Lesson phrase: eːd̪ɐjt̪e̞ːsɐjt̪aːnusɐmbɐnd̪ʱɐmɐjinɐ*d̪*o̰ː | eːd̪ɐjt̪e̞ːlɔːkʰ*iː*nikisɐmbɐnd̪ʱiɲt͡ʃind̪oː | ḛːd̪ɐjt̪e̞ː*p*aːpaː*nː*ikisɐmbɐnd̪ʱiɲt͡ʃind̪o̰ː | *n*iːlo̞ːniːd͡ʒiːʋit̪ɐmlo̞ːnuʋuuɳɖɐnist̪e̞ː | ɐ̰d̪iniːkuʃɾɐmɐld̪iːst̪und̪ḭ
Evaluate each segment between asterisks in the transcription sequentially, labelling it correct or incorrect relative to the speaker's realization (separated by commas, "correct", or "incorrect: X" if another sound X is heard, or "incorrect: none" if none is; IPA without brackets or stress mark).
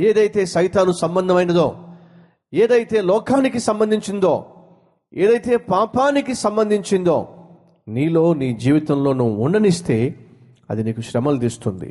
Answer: correct, incorrect: aː, correct, incorrect: n, correct